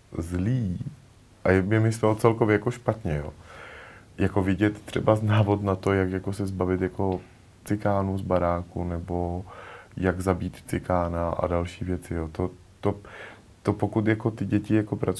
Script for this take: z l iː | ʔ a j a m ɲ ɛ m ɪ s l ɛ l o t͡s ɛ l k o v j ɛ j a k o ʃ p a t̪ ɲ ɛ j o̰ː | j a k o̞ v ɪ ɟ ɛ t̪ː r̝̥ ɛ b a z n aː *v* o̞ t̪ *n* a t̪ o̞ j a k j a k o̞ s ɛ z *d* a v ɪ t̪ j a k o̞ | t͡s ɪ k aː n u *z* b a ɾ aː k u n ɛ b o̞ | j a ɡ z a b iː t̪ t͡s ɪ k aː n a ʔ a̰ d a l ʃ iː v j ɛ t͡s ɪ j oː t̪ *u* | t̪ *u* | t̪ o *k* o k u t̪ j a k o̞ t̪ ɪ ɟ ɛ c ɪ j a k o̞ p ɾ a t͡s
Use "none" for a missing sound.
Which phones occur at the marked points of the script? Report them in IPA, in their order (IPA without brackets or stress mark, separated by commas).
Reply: v, n, b, z, o, o, p